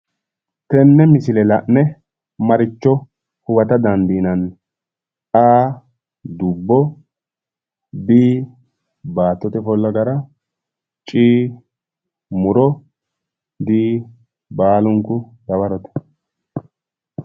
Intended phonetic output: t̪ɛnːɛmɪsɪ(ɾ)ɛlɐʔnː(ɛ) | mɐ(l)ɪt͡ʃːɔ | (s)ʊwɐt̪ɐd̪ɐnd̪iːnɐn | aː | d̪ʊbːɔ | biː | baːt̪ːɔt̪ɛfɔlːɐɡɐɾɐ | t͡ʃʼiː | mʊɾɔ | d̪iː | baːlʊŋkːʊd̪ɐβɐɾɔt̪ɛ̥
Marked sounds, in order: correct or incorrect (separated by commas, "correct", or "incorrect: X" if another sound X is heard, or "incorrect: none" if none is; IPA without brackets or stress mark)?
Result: incorrect: l, correct, incorrect: ɾ, incorrect: h